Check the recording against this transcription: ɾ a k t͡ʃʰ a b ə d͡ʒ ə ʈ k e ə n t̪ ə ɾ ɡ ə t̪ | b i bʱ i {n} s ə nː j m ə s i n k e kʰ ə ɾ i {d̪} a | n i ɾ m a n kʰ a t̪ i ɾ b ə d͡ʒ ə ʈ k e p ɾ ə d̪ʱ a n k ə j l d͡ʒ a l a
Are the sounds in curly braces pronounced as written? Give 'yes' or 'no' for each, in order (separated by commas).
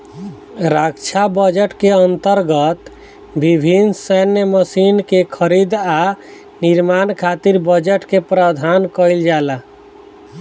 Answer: yes, yes